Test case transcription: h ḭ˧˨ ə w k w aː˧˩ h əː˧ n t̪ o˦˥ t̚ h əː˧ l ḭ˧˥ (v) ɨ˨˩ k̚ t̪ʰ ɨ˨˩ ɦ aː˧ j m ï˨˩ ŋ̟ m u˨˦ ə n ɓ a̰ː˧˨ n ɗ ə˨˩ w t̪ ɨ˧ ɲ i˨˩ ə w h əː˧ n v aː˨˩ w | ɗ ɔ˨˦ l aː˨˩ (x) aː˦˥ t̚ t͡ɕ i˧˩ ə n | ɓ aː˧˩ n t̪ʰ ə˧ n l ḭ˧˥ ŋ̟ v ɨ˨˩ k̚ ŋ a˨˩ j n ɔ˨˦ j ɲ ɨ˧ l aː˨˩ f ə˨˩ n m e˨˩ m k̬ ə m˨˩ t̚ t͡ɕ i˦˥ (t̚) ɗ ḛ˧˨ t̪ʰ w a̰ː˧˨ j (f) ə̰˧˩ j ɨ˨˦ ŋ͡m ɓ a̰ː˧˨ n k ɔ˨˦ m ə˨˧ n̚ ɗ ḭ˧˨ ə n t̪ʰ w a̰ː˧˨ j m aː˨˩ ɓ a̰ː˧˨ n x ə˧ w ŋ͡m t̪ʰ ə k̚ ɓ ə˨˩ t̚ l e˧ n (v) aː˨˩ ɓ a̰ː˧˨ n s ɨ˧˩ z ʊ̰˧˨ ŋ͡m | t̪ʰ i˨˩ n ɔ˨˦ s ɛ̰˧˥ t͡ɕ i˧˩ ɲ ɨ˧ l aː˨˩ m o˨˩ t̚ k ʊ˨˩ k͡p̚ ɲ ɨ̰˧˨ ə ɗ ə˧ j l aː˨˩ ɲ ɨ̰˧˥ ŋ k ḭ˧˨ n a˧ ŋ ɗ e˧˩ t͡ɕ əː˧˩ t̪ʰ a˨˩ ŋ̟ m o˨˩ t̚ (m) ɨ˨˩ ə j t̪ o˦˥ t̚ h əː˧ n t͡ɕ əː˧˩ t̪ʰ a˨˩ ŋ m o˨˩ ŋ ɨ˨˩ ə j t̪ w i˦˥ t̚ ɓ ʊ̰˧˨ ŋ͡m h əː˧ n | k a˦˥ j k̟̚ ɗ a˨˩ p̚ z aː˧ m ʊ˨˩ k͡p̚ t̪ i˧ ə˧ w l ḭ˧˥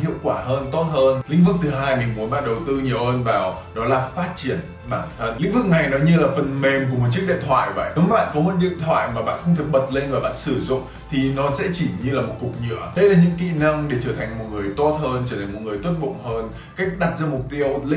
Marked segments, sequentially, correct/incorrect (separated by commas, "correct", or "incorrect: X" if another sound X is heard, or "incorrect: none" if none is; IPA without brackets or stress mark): correct, incorrect: f, incorrect: k̚, incorrect: v, correct, incorrect: ŋ